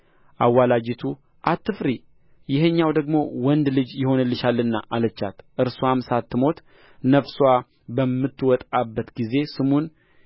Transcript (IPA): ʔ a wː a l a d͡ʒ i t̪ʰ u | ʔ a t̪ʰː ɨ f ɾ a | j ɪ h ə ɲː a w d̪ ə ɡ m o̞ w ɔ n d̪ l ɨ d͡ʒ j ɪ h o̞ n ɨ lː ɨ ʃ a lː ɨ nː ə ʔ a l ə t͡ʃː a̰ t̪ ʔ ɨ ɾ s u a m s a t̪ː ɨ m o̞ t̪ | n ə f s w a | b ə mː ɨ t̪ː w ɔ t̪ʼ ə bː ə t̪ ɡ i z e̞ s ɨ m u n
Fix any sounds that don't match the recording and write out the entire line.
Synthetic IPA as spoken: ʔ a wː a l a d͡ʒ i t̪ʰ u | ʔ a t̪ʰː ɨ f ɾ i | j ɪ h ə ɲː a w d̪ ə ɡ m o̞ w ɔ n d̪ l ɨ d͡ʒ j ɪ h o̞ n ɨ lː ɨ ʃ a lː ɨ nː a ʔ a l ə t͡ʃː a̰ t̪ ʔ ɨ ɾ s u a m s a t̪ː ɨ m o̞ t̪ | n ə f s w a | b ə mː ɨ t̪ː w ɔ t̪ʼ a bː ə t̪ ɡ i z e̞ s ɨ m u n